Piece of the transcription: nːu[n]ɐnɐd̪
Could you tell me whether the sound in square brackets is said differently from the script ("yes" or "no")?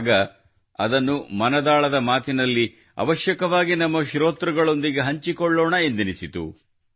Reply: yes